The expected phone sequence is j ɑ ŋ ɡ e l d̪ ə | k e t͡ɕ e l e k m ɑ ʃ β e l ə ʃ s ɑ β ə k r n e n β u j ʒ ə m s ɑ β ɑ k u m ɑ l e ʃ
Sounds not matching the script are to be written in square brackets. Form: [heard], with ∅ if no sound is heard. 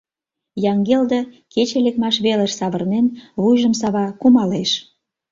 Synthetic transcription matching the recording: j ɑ ŋ ɡ e l d̪ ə | k e t͡ɕ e l e k m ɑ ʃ β e l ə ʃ s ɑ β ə [∅] r n e n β u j ʒ ə m s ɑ β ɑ k u m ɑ l e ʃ